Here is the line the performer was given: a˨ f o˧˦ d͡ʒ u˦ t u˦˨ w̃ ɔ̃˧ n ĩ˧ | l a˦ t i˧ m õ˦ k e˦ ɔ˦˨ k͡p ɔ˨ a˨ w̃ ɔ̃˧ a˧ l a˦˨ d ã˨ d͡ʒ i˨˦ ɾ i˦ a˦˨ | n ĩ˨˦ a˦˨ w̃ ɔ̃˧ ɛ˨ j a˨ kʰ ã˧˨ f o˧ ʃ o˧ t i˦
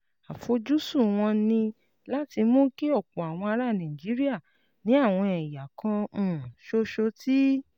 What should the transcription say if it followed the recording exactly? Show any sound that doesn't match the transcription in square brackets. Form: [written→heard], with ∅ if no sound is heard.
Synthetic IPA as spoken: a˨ f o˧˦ d͡ʒ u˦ [t→s] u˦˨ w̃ ɔ̃˧ n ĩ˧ | l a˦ t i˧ m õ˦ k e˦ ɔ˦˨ k͡p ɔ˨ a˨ w̃ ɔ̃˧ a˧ [l→ɾ] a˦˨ [d→n] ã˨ d͡ʒ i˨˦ ɾ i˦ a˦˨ | n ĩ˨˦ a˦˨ w̃ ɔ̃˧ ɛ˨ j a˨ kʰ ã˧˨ [f→ʃ] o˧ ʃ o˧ t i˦